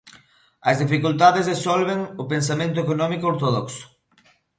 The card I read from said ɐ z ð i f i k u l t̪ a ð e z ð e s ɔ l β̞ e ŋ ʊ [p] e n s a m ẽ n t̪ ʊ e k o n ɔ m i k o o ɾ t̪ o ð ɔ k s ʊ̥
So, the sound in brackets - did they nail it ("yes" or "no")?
yes